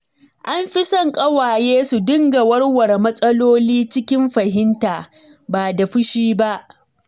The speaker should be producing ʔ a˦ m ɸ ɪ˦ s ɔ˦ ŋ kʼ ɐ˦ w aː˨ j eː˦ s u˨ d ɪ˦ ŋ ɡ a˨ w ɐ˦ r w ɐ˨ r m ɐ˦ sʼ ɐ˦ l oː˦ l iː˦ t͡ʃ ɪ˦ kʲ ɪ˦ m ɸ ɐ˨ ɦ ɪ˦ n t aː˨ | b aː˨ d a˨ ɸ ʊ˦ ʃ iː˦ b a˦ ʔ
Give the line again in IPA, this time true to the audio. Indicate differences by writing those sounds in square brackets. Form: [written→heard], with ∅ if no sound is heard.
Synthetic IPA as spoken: ʔ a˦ m ɸ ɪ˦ s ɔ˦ ŋ kʼ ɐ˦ w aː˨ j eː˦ s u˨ d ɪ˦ ŋ ɡ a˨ w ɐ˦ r w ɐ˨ r m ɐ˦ sʼ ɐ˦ l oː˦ l iː˦ t͡ʃ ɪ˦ kʲ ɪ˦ m ɸ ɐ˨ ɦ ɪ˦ n t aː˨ | b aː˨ d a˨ ɸ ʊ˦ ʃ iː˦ b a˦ ʔ